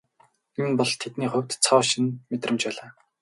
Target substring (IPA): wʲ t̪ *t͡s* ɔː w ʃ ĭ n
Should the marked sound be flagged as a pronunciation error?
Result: yes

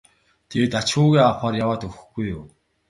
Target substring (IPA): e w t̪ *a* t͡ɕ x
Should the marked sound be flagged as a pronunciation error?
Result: no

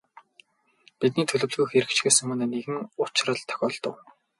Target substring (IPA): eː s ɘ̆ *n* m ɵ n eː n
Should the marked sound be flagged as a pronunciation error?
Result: yes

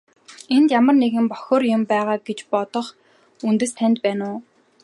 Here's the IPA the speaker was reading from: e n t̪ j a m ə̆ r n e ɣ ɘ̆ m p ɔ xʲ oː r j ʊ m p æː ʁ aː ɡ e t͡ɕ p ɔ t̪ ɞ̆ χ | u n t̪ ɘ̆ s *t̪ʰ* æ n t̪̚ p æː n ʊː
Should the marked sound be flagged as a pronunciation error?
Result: no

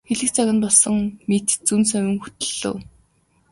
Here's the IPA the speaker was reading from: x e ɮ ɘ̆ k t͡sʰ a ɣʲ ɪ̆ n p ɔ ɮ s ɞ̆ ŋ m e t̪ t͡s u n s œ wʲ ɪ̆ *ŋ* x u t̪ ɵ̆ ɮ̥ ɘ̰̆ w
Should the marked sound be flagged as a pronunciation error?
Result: no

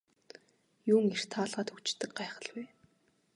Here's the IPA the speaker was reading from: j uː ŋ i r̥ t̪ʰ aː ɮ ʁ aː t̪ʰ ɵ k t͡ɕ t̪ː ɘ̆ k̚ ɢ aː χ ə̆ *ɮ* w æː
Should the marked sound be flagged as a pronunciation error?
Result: no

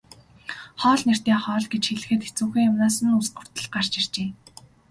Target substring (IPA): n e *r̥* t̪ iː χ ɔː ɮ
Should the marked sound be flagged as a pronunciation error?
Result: no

